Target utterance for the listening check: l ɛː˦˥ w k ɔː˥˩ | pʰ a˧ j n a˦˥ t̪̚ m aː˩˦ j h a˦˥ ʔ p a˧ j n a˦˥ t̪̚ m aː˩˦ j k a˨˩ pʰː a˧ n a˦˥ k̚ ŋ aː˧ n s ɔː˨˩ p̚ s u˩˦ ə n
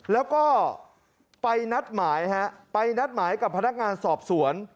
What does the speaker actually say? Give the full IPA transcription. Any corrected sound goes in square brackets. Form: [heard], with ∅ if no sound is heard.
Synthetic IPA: l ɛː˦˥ w k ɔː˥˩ | [p] a˧ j n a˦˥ t̪̚ m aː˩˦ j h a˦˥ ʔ p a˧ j n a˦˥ t̪̚ m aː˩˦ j k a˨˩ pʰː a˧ n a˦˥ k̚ ŋ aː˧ n s ɔː˨˩ p̚ s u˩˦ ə n